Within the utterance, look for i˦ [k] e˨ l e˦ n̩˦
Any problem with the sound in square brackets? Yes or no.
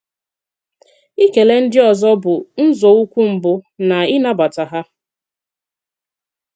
no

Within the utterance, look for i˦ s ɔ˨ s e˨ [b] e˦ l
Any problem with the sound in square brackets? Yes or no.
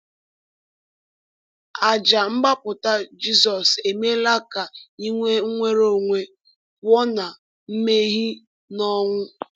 yes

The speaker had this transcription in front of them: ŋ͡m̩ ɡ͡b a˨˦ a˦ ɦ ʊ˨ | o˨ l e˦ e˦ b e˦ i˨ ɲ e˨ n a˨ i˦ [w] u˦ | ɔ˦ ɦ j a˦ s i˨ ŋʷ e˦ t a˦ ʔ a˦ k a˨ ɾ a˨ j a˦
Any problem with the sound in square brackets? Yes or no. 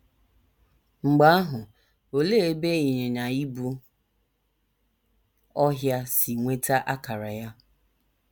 yes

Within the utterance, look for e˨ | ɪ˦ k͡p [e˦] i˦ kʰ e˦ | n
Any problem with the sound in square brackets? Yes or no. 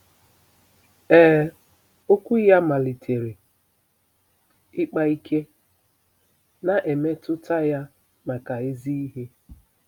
yes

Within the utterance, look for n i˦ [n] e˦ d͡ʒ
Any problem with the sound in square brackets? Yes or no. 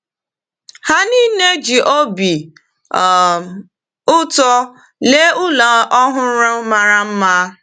no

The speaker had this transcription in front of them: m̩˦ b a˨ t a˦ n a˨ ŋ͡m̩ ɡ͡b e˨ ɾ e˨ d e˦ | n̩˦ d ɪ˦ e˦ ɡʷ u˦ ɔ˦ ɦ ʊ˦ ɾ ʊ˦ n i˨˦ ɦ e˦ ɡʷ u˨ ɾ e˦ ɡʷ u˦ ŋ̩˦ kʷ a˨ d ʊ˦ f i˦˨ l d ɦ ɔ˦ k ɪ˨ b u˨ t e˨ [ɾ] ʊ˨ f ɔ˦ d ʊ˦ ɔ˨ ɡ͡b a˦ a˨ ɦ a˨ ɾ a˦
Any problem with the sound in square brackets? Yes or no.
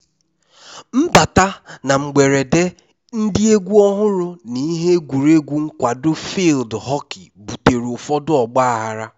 no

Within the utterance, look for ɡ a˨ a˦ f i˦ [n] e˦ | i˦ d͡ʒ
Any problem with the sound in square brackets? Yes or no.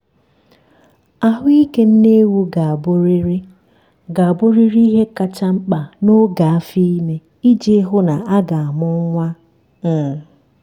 yes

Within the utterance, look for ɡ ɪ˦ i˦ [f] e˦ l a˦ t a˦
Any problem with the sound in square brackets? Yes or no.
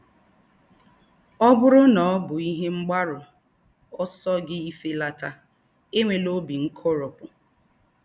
no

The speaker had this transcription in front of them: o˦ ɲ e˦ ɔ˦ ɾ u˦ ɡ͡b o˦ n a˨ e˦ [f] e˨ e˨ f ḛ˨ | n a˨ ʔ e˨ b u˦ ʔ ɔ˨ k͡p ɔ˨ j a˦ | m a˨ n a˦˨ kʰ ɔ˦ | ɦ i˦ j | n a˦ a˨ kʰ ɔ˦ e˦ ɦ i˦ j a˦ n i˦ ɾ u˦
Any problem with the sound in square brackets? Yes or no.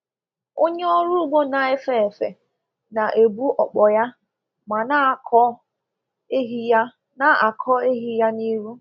no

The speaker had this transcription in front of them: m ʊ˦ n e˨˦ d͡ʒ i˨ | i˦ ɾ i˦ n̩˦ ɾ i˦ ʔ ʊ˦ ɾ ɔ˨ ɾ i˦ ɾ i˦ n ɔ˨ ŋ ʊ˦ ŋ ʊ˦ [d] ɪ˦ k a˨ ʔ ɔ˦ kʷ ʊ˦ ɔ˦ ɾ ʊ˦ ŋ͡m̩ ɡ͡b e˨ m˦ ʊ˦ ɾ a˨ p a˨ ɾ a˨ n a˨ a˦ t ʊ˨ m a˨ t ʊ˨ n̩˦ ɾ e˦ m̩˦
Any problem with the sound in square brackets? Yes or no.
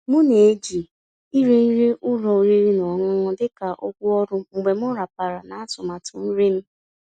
no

